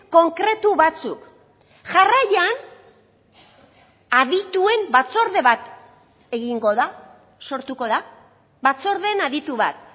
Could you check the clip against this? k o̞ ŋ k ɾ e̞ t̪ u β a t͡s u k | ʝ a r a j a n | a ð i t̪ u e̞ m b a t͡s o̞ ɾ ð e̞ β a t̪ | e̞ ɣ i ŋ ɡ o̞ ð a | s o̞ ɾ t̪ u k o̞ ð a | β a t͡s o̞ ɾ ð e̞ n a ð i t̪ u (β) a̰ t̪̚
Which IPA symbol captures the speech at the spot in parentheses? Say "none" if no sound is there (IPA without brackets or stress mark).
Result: β